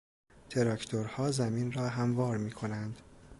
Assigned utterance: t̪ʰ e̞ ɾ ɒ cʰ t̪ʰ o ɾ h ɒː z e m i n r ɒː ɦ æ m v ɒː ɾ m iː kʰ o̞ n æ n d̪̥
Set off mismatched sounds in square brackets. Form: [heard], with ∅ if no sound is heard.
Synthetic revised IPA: t̪ʰ e̞ ɾ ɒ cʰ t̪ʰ o ɾ h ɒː z [æ] m i n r ɒː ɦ æ m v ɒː ɾ m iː kʰ o̞ n æ n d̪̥